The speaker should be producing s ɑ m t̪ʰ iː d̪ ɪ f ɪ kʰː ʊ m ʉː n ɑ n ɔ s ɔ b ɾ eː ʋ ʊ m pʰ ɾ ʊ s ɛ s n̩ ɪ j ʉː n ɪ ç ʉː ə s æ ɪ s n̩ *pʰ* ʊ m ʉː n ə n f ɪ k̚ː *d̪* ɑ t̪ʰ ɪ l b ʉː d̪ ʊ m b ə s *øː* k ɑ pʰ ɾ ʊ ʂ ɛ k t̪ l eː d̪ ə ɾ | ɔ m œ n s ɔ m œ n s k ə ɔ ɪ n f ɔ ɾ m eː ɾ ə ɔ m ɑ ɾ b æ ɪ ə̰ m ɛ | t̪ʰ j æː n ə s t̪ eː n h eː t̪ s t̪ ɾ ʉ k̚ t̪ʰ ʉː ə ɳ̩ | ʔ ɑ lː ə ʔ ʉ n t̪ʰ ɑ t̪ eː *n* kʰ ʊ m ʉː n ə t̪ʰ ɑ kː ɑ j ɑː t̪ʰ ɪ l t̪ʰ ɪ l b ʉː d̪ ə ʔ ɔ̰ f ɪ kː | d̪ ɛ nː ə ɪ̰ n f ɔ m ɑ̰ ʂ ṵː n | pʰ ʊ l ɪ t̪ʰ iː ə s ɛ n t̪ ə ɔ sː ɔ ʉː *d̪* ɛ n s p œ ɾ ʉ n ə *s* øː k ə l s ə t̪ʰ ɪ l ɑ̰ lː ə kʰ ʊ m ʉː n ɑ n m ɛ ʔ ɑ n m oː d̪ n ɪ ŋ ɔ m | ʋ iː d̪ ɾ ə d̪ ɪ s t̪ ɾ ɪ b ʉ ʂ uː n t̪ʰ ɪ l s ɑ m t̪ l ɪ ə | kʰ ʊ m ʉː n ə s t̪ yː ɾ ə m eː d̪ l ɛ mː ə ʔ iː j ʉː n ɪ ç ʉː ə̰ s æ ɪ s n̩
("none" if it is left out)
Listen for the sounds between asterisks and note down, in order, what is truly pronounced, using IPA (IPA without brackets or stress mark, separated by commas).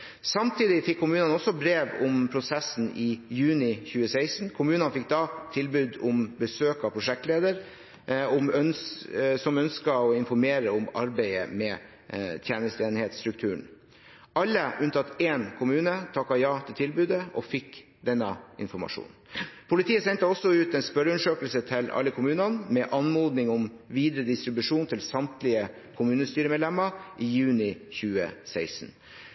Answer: kʰ, d̪, øː, n, t̪, ʂ